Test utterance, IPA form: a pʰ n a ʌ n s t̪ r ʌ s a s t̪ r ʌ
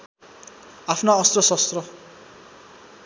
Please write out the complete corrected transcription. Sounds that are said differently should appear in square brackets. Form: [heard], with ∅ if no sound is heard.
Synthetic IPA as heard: a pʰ n a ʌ [∅] s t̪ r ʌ s [ʌ] s t̪ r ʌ